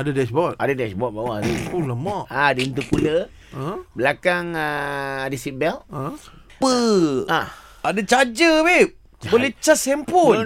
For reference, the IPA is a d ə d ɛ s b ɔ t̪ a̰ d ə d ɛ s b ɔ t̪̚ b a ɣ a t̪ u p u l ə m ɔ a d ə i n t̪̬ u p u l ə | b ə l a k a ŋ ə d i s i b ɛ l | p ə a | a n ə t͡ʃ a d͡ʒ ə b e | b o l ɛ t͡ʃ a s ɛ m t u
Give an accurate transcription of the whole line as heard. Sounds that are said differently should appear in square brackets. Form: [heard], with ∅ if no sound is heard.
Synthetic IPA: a d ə d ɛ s b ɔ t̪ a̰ d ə d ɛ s b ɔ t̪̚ b a [w] a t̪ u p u l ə m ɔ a d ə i n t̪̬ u p u l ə | b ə l a k a ŋ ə d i s i b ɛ l | p ə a | a [d] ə t͡ʃ a d͡ʒ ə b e | b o l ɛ t͡ʃ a s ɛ m [p] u